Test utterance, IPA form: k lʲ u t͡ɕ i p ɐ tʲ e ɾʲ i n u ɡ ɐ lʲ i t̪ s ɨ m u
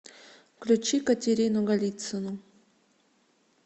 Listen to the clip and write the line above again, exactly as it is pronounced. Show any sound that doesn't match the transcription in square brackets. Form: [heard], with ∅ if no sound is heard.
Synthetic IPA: k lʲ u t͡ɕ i [k] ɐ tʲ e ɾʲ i n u ɡ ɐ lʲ i t̪ s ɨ [n] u